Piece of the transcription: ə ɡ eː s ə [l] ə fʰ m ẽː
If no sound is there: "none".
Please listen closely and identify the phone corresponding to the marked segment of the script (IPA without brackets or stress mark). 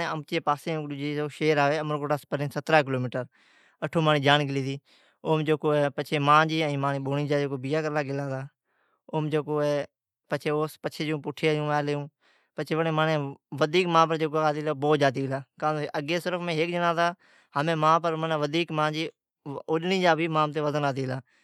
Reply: ɾ